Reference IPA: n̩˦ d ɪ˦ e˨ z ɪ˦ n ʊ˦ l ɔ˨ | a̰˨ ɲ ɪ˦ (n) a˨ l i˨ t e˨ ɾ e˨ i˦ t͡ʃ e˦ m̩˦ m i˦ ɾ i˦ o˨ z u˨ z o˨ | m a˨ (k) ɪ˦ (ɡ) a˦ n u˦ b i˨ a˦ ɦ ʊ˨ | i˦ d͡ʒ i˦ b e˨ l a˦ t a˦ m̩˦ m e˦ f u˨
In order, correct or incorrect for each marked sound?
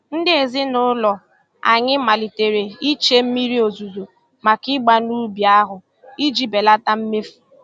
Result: incorrect, correct, incorrect

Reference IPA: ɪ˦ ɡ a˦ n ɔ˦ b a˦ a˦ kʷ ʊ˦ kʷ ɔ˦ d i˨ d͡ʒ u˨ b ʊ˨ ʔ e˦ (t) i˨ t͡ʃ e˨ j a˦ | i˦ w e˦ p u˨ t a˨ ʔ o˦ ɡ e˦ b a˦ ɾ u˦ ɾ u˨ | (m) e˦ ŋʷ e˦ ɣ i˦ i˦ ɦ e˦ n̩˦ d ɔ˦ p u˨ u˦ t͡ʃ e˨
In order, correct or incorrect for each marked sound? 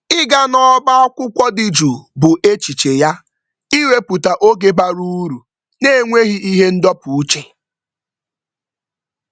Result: incorrect, incorrect

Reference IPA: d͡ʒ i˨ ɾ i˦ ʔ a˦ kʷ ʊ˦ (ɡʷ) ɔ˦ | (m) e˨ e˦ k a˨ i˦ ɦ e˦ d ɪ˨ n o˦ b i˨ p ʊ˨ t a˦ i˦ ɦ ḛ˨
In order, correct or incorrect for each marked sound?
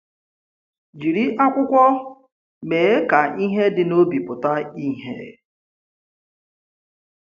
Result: incorrect, correct

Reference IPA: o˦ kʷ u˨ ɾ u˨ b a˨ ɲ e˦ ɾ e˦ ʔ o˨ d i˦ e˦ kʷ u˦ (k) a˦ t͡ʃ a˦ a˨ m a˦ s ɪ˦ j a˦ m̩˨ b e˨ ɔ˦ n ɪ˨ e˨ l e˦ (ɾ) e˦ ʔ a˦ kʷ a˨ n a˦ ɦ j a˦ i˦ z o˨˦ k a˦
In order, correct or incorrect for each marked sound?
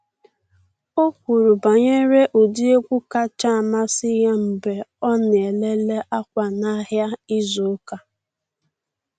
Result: correct, incorrect

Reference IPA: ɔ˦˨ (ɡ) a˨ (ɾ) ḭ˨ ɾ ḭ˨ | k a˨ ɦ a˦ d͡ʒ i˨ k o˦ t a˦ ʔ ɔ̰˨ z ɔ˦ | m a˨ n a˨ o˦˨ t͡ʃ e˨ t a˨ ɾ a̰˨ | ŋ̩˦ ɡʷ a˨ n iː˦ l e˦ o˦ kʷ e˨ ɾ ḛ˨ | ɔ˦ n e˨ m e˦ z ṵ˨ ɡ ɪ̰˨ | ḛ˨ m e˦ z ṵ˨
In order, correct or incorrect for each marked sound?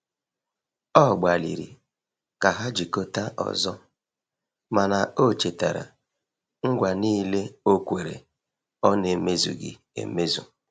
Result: incorrect, incorrect

